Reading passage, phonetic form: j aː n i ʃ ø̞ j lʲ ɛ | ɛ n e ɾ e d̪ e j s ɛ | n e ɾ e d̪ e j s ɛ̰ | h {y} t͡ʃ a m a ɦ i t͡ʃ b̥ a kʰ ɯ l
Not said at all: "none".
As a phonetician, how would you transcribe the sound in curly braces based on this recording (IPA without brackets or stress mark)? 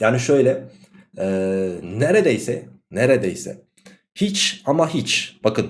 i